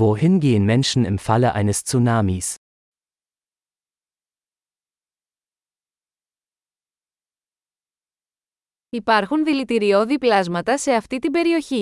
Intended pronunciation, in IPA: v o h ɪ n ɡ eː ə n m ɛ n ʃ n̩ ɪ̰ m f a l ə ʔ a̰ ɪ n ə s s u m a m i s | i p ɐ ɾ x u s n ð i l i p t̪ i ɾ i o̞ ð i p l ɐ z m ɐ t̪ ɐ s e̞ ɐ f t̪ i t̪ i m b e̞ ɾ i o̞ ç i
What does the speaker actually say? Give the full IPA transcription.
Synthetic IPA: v o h ɪ n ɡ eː ə n m ɛ n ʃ n̩ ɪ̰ m f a l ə ʔ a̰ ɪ n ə s t͡s u n a m i s | i p ɐ ɾ x u n ð i l i t̪ i ɾ i o̞ ð i p l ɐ z m ɐ t̪ ɐ s e̞ ɐ f t̪ i t̪ i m b e̞ ɾ i o̞ ç i